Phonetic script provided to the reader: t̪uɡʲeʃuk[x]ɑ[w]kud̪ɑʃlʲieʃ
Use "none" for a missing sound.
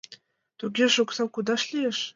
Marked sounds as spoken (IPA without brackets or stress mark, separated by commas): s, w